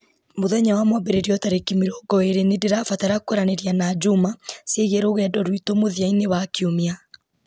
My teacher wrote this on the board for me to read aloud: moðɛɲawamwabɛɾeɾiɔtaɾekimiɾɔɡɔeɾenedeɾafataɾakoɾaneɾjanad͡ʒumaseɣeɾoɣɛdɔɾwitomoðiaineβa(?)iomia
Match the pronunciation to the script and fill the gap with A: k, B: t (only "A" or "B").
A